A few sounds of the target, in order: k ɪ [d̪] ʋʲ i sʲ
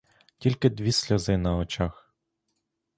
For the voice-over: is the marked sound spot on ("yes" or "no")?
yes